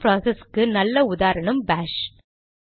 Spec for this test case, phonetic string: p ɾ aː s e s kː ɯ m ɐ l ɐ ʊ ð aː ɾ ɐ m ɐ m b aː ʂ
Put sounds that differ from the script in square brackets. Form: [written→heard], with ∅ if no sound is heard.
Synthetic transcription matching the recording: p ɾ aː s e s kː ɯ [m→n] ɐ [l→lː] ɐ ʊ ð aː ɾ ɐ [m→ɳ] ɐ m b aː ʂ